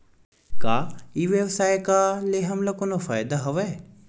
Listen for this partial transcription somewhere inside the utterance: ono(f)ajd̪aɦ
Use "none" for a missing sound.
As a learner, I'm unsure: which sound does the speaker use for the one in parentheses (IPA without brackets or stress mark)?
f